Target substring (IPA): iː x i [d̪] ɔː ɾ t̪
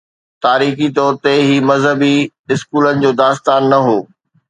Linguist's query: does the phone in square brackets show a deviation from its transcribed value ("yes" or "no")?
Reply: yes